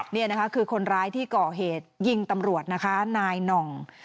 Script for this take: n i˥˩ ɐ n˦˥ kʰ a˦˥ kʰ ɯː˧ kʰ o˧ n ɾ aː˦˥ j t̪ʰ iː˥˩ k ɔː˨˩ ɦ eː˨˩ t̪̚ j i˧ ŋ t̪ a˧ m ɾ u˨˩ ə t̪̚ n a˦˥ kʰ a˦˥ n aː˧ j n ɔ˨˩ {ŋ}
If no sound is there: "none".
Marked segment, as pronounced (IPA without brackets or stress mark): ŋ